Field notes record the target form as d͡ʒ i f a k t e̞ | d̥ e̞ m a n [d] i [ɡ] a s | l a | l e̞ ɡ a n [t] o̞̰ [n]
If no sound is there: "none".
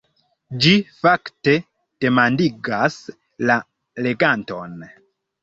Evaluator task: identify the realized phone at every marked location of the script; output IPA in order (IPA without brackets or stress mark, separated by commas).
d, ɡ, t, n